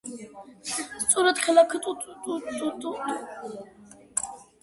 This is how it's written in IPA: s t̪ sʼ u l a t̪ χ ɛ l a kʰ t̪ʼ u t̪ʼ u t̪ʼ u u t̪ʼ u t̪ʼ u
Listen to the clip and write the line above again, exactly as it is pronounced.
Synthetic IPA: s t̪ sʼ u ɾ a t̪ χ ɛ l a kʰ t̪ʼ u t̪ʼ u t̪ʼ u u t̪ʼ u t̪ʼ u